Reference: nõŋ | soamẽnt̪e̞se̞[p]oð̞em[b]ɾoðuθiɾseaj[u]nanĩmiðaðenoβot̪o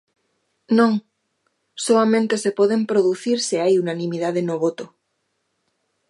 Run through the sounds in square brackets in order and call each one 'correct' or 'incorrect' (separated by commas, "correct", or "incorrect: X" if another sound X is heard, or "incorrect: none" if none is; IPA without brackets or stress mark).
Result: correct, incorrect: p, correct